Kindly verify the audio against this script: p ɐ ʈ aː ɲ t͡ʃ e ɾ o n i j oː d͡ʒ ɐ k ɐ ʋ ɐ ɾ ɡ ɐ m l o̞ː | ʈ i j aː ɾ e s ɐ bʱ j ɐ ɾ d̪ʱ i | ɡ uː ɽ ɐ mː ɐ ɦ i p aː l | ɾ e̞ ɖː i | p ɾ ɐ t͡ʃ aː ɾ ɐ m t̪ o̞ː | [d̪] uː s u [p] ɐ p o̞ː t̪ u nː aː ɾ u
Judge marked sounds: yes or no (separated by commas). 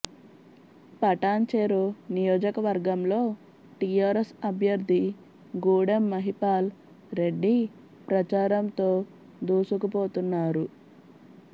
yes, no